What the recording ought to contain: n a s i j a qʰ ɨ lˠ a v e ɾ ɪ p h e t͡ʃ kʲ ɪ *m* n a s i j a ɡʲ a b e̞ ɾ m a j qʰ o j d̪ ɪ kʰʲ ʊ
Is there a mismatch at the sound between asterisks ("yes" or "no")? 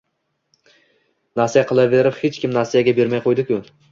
no